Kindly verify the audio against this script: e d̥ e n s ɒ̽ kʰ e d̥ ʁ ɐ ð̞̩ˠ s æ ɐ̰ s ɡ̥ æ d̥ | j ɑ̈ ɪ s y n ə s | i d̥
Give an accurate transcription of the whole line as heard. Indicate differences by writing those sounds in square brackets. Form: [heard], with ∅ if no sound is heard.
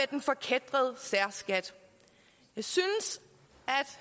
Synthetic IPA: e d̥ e n [f] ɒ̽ kʰ e d̥ ʁ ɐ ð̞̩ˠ s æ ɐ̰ s ɡ̥ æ d̥ | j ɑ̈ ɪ s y n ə s | [æ] d̥